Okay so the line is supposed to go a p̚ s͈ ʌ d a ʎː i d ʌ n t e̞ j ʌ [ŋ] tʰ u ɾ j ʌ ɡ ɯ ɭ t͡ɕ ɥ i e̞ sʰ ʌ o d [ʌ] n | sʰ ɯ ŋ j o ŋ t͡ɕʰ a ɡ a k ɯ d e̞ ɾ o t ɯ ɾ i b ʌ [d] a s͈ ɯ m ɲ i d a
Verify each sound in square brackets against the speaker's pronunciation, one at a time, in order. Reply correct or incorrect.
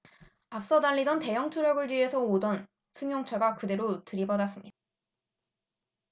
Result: correct, correct, correct

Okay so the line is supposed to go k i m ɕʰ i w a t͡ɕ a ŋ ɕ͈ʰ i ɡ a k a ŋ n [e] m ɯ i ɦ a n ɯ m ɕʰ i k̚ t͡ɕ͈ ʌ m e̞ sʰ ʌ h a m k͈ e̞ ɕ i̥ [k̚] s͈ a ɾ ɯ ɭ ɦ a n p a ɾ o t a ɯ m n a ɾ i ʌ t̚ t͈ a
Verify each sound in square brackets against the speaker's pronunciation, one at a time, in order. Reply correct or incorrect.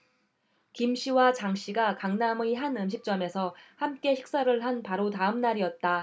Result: incorrect, correct

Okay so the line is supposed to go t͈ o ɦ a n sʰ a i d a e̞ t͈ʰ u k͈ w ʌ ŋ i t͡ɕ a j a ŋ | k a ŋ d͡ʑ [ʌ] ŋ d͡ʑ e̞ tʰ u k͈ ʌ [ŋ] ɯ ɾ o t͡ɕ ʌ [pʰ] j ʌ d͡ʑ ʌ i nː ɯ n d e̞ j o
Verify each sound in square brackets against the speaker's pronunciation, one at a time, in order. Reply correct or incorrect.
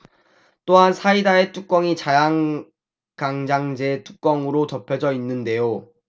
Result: incorrect, correct, correct

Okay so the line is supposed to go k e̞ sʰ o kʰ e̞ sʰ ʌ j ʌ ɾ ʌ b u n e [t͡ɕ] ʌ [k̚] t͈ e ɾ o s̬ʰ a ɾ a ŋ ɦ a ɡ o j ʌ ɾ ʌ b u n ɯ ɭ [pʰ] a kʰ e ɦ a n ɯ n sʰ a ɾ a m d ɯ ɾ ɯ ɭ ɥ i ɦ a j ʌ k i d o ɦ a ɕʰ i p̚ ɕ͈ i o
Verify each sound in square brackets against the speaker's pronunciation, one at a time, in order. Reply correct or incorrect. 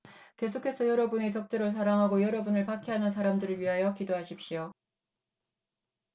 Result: correct, correct, incorrect

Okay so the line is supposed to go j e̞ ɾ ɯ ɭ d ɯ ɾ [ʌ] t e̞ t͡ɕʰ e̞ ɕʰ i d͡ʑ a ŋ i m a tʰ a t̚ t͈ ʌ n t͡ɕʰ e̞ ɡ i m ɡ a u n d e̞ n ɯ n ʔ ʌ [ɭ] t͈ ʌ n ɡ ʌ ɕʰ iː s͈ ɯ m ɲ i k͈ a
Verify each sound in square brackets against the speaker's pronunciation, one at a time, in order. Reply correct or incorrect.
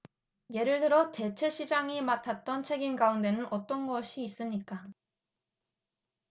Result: correct, incorrect

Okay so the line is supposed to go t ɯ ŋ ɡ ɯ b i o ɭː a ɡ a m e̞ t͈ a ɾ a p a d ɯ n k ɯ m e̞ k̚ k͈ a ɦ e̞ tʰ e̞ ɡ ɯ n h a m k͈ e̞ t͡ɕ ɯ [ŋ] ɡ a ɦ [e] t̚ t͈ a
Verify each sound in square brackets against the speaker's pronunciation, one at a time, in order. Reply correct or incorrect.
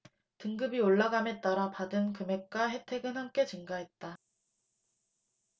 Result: correct, correct

